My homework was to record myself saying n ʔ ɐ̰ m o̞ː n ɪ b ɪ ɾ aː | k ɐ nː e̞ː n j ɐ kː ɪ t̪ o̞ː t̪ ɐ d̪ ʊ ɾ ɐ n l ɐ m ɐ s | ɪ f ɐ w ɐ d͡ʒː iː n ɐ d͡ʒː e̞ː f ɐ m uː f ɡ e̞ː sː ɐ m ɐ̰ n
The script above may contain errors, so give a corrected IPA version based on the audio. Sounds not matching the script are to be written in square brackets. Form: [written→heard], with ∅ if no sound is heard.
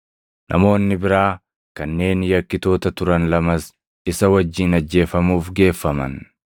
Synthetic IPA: n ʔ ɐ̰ m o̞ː [n→nː] ɪ b ɪ ɾ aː | k ɐ nː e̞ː n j ɐ kː ɪ t̪ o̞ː t̪ ɐ [d̪→t̪] ʊ ɾ ɐ n l ɐ m ɐ s | ɪ [f→s] ɐ w ɐ d͡ʒː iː n ɐ d͡ʒː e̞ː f ɐ m uː f ɡ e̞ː [sː→fː] ɐ m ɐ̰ n